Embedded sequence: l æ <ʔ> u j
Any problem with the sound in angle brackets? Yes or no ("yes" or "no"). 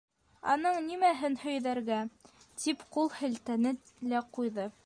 yes